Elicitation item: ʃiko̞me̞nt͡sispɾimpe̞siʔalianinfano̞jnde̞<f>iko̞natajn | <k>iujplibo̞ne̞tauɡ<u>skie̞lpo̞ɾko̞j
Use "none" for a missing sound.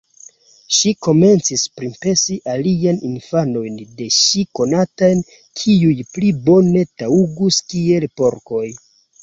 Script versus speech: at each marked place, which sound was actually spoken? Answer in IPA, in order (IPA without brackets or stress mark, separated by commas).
ʃ, kʰ, u